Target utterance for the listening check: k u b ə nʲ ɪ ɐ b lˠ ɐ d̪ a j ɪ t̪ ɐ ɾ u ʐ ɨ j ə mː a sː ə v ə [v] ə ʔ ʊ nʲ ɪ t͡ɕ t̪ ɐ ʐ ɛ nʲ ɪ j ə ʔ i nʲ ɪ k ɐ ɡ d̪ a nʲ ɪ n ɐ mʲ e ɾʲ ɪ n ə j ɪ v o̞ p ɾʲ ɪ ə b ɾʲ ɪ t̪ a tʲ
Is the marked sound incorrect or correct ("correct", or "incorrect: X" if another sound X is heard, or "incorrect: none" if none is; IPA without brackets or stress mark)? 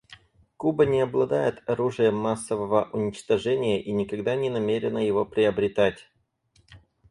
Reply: correct